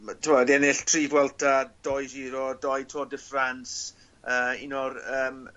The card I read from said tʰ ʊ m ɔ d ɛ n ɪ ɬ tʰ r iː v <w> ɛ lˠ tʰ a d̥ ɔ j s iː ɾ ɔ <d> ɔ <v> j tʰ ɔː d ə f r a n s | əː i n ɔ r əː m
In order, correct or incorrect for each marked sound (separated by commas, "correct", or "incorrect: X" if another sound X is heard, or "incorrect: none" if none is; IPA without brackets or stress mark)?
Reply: correct, correct, incorrect: none